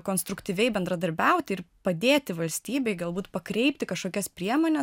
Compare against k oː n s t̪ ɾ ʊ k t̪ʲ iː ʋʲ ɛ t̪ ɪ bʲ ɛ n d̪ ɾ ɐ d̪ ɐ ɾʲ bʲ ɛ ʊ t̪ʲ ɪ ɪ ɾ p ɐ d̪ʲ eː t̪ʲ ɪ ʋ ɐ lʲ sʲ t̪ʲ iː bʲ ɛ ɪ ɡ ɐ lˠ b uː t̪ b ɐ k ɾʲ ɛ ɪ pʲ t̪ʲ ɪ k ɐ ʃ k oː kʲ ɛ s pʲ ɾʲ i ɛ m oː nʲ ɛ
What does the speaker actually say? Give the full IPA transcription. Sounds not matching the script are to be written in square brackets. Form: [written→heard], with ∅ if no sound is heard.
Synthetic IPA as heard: k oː n s t̪ ɾ ʊ k t̪ʲ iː ʋʲ ɛ [t̪→∅] ɪ bʲ ɛ n d̪ ɾ ɐ d̪ ɐ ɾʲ bʲ ɛ ʊ t̪ʲ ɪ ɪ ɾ p ɐ d̪ʲ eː t̪ʲ ɪ ʋ ɐ lʲ sʲ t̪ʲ iː bʲ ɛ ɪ ɡ ɐ lˠ b uː t̪ [b→p] ɐ k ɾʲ ɛ ɪ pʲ t̪ʲ ɪ k ɐ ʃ k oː kʲ ɛ s pʲ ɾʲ i ɛ m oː nʲ ɛ